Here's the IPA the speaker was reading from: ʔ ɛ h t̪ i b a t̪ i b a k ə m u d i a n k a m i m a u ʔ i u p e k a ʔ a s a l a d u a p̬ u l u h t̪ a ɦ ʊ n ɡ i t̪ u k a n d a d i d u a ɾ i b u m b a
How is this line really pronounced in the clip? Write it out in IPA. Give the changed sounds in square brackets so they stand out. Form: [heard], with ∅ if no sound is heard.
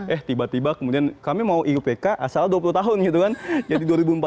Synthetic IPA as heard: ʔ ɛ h t̪ i b a t̪ i b a k ə m u d i a n k a m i m a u ʔ i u p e k a ʔ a s a l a d u a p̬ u l u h t̪ a ɦ ʊ n ɡ i t̪ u k a n [d͡ʒ] a d i d u a ɾ i b u m [p] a